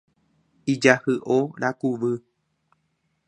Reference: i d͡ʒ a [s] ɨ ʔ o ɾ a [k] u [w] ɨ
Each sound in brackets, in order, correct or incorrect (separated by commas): incorrect, correct, incorrect